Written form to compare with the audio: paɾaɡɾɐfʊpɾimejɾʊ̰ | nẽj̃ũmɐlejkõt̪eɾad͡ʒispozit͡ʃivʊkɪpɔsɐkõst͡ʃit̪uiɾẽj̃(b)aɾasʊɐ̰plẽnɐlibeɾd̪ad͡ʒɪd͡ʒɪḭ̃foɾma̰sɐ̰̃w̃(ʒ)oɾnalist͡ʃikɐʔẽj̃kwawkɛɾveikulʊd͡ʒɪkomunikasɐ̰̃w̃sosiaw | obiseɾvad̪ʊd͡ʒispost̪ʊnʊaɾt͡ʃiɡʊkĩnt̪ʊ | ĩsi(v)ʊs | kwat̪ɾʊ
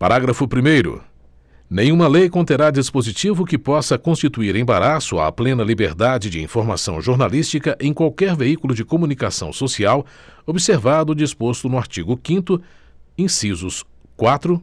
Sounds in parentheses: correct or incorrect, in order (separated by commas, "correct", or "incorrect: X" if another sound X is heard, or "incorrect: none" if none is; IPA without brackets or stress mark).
correct, correct, incorrect: z